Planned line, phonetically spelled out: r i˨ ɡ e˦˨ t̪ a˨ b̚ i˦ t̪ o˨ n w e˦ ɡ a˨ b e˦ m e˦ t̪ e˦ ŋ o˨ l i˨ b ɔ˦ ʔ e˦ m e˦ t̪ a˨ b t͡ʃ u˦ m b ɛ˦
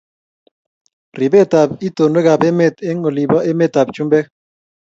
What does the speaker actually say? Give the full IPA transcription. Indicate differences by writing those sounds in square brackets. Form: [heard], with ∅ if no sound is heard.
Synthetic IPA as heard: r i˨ [b] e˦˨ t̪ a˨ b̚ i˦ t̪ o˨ n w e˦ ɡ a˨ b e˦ m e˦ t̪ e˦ ŋ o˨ l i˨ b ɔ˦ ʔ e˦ m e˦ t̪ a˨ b t͡ʃ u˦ m b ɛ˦